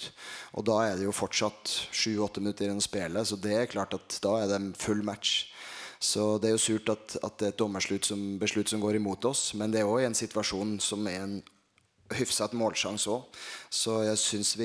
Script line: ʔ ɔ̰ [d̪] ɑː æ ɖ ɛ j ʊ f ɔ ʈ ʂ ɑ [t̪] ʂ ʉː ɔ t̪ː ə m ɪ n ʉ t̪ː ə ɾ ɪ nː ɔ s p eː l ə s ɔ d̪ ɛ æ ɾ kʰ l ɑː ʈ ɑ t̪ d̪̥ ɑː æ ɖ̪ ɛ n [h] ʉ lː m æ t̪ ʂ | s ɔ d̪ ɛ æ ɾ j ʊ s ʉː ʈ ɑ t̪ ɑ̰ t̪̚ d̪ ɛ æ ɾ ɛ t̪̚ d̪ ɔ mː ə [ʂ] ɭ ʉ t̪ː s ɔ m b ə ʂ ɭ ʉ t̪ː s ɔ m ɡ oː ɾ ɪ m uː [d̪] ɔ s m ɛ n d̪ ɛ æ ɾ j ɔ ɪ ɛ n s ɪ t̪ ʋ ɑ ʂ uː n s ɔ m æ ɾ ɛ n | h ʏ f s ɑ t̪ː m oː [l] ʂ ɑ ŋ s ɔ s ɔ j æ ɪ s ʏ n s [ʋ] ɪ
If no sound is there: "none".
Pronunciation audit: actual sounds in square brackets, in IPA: d̪, t̪, f, ʂ, t̪, l, ʋ

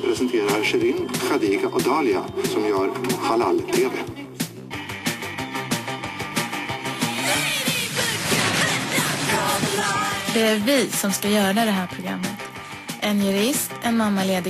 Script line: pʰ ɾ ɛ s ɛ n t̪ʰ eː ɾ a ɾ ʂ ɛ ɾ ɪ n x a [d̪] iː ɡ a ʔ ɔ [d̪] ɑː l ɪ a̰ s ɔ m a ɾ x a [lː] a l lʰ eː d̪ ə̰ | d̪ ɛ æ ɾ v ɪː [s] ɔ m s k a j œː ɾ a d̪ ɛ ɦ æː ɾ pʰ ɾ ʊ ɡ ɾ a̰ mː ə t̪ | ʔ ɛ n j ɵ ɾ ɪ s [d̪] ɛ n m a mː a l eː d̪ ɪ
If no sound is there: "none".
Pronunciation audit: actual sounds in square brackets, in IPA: d̪, d̪, l, s, t̪

